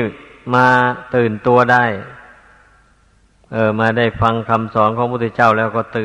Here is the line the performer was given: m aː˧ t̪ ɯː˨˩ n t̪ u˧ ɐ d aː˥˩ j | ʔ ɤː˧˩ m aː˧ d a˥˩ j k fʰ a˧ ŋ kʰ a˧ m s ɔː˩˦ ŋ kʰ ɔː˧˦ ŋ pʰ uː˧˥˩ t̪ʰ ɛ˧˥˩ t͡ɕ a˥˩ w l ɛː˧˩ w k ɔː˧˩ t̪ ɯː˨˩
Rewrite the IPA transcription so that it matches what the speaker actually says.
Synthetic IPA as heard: m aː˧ t̪ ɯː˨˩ n t̪ u˧ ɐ d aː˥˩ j | ʔ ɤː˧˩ m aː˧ d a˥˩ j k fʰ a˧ ŋ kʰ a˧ m s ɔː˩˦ n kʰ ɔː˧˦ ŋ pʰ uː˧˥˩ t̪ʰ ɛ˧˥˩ t͡ɕ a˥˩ w l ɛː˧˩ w k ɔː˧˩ t̪ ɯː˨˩